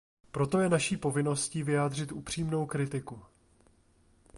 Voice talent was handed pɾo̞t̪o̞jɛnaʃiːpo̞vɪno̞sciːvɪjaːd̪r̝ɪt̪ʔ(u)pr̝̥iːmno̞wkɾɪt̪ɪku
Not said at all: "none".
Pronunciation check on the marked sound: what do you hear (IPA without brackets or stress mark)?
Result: u